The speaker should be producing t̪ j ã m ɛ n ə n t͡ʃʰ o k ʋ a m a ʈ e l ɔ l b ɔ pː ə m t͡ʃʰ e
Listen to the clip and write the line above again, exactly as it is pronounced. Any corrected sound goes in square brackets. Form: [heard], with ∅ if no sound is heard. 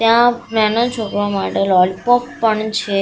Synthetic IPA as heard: t̪ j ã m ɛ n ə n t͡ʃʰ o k ʋ a m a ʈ e l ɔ l [p] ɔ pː ə [ɳ] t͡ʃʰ e